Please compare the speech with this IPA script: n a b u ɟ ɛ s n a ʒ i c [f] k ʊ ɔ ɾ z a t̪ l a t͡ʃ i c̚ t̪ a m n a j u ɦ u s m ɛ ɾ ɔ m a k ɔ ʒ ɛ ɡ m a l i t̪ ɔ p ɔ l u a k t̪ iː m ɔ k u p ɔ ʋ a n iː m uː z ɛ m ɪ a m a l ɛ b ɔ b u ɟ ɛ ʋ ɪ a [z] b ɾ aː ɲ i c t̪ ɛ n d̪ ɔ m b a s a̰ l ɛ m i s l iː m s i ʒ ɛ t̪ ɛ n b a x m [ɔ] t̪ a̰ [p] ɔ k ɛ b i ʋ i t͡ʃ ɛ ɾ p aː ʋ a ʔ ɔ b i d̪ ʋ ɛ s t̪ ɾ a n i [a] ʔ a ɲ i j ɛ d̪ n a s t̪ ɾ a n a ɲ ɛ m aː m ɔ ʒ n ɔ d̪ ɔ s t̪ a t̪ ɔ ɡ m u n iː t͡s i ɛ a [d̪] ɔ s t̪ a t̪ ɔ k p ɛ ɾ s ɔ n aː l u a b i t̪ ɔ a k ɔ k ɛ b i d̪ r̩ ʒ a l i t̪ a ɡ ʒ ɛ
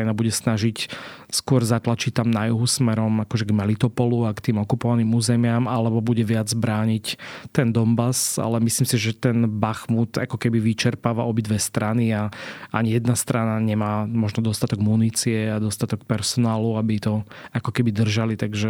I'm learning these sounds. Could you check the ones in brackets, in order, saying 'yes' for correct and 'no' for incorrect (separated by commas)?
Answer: no, no, no, no, yes, yes